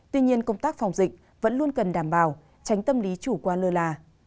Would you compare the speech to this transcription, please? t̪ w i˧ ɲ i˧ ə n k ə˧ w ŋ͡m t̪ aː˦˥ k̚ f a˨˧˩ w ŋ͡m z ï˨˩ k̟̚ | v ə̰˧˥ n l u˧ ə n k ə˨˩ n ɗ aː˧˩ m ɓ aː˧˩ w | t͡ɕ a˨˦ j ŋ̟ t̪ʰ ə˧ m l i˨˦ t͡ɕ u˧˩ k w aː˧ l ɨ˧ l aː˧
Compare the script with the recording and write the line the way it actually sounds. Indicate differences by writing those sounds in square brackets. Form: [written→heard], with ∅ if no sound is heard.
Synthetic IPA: t̪ w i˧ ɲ i˧ ə n k ə˧ w ŋ͡m t̪ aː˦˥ k̚ f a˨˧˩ w ŋ͡m z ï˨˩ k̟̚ | v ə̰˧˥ n l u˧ ə n k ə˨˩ n ɗ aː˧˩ m ɓ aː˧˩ w | t͡ɕ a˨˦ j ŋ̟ [t̪ʰ→t̪] ə˧ m l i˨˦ t͡ɕ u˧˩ k w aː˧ l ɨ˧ l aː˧